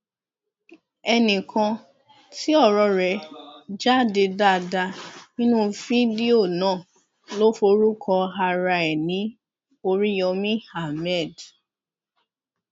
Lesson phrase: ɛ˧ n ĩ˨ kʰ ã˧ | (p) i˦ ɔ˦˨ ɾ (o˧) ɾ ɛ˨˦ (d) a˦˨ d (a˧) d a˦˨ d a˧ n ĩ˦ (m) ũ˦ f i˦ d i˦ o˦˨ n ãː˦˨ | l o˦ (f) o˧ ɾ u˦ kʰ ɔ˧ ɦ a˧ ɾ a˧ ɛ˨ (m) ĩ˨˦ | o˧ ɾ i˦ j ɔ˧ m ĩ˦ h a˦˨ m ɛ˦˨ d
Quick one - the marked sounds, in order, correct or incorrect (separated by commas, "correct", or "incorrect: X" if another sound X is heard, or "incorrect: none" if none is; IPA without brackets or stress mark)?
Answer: incorrect: t, incorrect: ɔ˧, incorrect: d͡ʒ, incorrect: e˧, incorrect: n, correct, incorrect: n